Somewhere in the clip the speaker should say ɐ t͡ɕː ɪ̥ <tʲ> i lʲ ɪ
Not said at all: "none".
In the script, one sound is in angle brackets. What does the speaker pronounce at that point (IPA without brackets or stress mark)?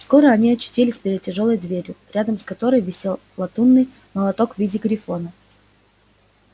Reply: tʲ